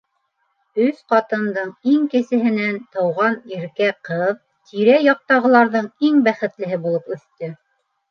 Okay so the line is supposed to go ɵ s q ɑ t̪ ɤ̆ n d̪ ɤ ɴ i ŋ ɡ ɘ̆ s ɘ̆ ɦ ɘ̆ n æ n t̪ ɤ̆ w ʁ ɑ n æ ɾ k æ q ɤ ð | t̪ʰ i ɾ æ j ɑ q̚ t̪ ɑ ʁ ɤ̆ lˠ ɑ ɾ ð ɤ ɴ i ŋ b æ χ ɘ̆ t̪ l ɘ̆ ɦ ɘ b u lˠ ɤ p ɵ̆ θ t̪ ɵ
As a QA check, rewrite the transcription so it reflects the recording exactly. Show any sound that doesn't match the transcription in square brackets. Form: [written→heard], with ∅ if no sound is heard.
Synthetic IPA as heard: ɵ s q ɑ t̪ ɤ̆ n d̪ ɤ ɴ i ŋ [ɡ→k] ɘ̆ s ɘ̆ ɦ ɘ̆ n æ n t̪ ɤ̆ w ʁ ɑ n [æ→i] ɾ k æ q ɤ ð | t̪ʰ i ɾ æ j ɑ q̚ t̪ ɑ ʁ ɤ̆ lˠ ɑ ɾ ð ɤ ɴ i ŋ b æ χ ɘ̆ t̪ l ɘ̆ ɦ ɘ b u lˠ ɤ p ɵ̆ θ t̪ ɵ